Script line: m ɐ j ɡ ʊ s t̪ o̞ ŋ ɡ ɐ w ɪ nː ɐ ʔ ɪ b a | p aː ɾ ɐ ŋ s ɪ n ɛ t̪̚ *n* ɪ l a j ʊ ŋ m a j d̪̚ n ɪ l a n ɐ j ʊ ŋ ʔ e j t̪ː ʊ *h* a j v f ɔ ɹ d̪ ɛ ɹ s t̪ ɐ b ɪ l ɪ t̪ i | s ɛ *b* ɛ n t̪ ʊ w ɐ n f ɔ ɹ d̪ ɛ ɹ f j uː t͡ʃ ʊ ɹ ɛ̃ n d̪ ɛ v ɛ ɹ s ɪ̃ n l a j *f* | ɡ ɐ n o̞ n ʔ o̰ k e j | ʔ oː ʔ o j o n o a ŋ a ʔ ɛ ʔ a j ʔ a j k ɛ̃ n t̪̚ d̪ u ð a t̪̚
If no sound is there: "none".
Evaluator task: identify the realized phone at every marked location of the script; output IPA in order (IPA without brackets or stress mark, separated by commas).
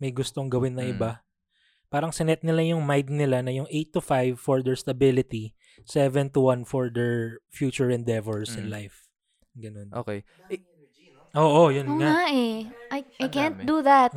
n, f, v, f